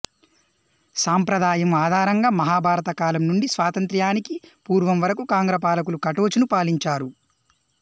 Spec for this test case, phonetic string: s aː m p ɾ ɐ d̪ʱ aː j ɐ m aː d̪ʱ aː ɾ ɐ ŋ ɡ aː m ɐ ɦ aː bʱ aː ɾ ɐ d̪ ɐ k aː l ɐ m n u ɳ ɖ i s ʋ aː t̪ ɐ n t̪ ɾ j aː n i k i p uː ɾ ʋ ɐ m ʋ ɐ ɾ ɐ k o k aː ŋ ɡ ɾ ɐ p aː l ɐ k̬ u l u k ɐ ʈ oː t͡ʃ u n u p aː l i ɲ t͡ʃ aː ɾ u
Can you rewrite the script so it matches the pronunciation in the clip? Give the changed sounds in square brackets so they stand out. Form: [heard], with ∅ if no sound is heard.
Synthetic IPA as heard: s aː m p ɾ ɐ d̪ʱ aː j ɐ m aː d̪ʱ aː ɾ ɐ ŋ ɡ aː m ɐ ɦ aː bʱ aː ɾ ɐ [t̪] ɐ k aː l ɐ m n u ɳ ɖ i s ʋ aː t̪ ɐ n t̪ ɾ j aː n i k i p uː ɾ ʋ ɐ m ʋ ɐ ɾ ɐ k [u] k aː ŋ ɡ ɾ ɐ p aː l ɐ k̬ u l u k ɐ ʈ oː t͡ʃ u n u p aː l i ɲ t͡ʃ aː ɾ u